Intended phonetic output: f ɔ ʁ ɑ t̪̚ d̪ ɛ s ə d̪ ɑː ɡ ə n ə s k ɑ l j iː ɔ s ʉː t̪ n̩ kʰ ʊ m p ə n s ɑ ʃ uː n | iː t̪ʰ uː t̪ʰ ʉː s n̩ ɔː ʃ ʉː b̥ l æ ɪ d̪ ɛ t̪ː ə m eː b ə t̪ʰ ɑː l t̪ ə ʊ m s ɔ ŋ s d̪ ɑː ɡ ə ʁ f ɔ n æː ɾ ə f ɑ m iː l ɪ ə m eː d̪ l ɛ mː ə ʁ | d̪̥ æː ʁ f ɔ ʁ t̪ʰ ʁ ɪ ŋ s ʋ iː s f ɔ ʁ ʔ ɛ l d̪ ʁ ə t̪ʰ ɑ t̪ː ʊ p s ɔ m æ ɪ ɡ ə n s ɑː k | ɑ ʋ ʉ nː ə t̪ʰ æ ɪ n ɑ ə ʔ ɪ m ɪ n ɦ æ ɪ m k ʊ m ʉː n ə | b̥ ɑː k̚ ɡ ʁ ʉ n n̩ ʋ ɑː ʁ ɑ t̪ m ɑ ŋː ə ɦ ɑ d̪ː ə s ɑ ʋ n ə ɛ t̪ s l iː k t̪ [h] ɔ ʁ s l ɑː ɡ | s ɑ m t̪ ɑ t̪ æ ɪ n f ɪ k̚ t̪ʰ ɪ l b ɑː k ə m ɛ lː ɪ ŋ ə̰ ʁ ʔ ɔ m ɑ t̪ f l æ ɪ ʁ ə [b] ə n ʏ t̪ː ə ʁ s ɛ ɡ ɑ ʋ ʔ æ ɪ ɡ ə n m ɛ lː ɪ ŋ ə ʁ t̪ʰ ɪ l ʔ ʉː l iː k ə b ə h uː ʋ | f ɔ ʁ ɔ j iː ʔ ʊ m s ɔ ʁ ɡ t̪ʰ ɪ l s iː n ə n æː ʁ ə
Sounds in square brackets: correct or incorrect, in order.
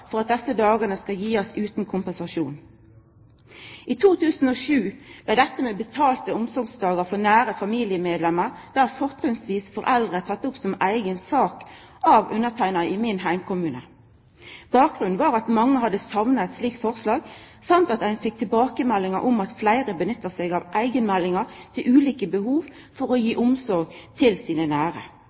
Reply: incorrect: f, correct

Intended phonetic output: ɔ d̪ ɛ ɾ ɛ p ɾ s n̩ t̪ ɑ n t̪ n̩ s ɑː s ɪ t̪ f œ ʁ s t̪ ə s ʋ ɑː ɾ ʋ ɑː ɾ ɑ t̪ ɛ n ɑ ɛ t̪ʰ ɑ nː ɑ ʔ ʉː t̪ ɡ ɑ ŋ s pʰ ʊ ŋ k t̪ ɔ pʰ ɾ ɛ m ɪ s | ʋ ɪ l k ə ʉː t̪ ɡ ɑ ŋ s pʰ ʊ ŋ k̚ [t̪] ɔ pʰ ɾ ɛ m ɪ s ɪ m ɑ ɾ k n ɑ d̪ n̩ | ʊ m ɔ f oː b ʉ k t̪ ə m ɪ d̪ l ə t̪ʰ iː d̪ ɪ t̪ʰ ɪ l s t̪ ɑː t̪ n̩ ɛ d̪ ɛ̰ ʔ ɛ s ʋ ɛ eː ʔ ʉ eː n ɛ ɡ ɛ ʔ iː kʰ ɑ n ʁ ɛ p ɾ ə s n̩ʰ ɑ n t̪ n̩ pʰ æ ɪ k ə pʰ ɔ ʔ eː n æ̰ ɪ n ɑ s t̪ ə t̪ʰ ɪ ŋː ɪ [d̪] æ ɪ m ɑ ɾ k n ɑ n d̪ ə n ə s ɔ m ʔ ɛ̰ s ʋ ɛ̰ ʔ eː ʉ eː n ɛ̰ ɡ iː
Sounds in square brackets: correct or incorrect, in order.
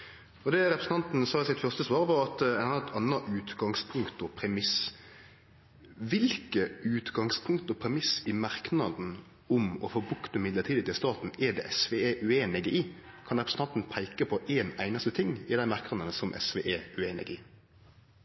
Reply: correct, correct

